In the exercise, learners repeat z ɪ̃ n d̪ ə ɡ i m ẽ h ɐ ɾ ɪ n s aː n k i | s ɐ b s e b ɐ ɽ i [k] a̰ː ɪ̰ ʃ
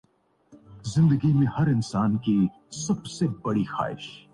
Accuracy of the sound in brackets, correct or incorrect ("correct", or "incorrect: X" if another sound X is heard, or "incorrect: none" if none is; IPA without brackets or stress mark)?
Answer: incorrect: x